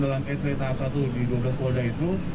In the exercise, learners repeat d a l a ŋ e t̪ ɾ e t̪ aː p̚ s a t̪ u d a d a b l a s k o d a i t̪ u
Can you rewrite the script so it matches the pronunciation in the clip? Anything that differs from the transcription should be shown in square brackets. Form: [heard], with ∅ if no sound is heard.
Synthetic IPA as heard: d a l a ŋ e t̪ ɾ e t̪ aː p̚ s a t̪ u d [i] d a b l a s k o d a i t̪ u